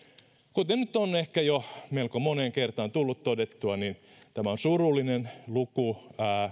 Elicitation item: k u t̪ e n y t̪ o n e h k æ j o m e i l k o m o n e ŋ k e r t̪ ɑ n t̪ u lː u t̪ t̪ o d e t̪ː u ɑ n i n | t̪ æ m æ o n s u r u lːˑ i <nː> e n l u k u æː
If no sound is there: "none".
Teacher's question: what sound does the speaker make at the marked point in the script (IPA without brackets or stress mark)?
n